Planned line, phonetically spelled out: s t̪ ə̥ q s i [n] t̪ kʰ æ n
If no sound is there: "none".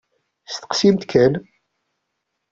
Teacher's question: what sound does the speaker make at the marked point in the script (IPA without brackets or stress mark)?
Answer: m